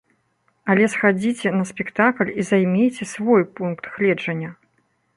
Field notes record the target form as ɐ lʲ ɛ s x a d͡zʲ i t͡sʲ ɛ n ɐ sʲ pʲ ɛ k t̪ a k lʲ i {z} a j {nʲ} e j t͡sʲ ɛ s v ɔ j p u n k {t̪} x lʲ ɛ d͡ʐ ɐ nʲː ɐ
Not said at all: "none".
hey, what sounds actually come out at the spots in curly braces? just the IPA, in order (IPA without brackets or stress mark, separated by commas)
z, mʲ, t̪